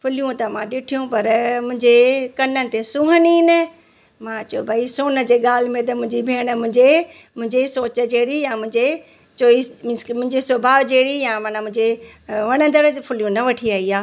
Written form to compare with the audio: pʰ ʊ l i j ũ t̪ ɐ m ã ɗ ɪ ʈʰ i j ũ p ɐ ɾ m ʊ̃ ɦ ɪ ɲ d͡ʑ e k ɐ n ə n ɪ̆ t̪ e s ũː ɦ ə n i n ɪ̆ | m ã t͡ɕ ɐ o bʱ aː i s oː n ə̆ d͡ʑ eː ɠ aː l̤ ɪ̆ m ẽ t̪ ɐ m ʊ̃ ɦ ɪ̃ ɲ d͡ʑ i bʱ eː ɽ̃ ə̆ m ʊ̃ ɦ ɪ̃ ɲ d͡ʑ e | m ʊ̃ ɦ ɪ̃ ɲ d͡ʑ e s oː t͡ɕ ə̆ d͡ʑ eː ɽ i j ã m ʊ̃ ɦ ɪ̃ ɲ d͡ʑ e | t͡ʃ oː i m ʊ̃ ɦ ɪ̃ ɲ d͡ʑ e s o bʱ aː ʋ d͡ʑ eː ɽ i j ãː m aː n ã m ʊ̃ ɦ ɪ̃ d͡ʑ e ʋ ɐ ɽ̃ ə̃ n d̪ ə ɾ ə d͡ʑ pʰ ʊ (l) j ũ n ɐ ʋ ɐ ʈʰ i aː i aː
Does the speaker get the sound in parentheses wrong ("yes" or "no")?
no